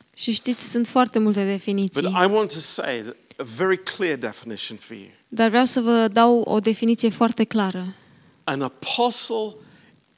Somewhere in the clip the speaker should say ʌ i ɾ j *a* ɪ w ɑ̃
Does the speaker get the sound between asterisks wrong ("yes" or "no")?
no